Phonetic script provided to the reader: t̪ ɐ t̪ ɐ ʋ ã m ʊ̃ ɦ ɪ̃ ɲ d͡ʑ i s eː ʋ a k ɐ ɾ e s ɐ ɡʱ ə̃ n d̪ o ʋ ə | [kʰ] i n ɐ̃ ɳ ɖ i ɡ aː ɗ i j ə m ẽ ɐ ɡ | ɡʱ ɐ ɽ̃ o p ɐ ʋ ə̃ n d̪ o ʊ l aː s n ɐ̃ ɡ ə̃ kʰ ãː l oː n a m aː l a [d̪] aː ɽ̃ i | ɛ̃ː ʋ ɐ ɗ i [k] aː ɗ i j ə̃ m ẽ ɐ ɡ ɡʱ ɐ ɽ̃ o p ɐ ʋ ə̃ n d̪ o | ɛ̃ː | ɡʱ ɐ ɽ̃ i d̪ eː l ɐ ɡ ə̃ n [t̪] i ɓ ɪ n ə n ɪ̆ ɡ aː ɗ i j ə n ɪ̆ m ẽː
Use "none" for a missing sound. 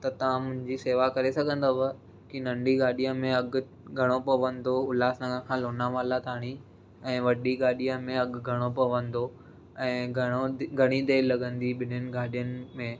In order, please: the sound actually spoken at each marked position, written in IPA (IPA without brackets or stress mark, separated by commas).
k, t̪, ɡ, d̪